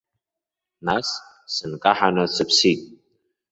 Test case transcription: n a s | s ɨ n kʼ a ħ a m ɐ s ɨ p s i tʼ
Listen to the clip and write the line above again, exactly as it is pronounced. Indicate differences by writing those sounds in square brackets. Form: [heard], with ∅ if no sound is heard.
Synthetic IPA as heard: n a s | s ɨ n kʼ a ħ a [n] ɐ s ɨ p s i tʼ